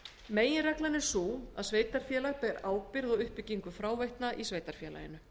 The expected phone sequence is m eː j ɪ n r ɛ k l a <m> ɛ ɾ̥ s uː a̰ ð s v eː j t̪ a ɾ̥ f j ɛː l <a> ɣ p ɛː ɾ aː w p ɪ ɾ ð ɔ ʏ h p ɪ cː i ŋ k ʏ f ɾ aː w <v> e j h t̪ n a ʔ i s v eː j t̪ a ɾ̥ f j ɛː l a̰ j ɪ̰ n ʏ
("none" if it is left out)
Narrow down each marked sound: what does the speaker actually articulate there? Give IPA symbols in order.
n, a, v

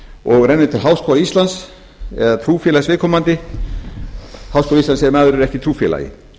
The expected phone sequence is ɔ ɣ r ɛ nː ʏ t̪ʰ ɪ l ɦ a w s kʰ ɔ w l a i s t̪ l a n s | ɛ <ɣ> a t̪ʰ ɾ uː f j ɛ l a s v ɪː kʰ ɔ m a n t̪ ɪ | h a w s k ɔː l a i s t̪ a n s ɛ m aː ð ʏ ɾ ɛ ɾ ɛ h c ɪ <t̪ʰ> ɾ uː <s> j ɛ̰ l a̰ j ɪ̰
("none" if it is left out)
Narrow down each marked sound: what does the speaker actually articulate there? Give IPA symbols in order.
ð, t̪ʰ, f

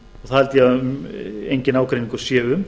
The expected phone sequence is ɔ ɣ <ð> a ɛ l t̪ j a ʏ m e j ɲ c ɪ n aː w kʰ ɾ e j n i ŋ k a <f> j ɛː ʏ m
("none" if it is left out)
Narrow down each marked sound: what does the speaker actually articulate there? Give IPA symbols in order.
θ, s

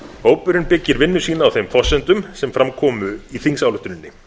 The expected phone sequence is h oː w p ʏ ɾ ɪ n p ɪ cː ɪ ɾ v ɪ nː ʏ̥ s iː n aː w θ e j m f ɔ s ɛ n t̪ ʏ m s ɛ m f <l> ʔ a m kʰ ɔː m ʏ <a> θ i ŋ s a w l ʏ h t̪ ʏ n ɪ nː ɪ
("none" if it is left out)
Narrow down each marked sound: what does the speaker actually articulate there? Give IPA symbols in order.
ɾ, i

